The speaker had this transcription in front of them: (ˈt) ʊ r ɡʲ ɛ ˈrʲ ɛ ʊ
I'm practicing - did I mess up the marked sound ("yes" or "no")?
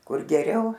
yes